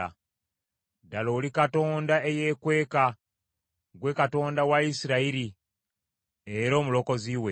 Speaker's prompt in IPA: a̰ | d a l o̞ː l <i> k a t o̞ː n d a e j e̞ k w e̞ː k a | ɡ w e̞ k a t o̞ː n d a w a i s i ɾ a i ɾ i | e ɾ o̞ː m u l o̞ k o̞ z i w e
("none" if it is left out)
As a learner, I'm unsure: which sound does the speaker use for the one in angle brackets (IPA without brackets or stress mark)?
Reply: i